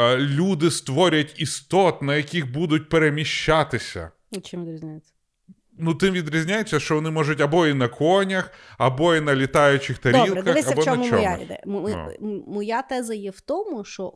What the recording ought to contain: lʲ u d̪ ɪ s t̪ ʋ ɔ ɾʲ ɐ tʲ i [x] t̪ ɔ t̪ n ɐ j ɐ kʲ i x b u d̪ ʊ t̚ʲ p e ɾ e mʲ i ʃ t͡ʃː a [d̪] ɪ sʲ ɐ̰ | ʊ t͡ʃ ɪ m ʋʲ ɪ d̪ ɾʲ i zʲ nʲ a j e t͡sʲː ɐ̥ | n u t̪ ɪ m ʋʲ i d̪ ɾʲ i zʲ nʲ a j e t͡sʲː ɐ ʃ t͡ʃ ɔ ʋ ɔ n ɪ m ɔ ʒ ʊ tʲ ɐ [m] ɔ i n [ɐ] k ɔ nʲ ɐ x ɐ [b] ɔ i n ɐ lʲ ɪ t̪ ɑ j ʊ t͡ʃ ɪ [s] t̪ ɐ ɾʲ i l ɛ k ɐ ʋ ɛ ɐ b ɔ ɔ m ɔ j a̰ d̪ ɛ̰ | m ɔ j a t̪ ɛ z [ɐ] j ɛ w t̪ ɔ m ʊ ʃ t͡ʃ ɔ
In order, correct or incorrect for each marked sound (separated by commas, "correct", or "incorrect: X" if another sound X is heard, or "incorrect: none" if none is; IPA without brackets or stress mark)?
incorrect: s, incorrect: t̪, incorrect: b, correct, correct, incorrect: x, correct